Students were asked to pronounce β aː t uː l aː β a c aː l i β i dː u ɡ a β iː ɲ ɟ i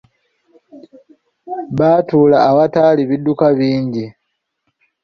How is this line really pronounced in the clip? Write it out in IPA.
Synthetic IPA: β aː t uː l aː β a t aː l i β i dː u k a β iː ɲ ɟ i